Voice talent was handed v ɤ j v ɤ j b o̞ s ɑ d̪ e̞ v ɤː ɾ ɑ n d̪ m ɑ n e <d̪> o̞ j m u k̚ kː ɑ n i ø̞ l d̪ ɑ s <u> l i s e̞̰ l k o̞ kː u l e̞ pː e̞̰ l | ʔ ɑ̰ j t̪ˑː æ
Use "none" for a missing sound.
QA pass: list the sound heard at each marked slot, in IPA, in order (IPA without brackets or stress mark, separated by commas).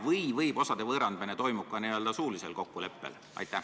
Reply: t̪, uː